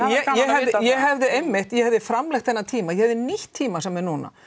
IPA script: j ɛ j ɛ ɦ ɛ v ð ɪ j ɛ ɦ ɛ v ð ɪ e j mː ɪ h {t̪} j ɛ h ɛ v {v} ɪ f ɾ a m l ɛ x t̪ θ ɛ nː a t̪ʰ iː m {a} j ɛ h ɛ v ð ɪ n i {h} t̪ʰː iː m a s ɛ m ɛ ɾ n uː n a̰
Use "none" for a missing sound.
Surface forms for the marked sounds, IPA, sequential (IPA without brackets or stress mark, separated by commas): t̪, ð, a, h